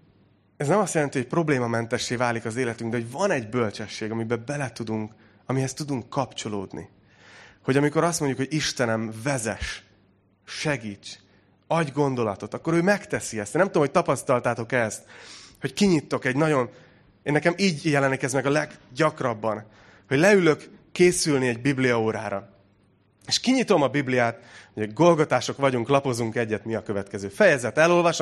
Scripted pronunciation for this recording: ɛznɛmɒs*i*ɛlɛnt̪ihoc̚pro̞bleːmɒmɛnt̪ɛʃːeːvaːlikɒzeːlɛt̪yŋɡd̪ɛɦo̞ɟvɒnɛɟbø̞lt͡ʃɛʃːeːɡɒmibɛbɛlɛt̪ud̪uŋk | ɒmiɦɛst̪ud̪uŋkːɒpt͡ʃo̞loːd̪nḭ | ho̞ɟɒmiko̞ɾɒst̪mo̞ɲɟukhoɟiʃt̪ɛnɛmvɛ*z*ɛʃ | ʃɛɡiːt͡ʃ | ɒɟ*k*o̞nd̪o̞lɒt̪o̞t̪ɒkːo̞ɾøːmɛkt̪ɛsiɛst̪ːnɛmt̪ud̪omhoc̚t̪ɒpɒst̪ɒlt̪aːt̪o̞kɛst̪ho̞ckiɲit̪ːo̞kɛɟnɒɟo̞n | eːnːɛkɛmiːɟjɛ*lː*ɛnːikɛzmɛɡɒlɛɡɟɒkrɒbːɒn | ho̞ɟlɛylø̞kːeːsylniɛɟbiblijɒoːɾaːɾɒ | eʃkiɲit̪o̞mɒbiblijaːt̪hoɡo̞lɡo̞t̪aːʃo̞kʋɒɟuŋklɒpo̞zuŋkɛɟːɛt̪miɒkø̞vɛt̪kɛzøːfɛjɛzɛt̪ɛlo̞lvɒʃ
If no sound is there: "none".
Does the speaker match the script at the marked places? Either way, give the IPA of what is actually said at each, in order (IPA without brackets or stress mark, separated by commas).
j, z, ɡ, l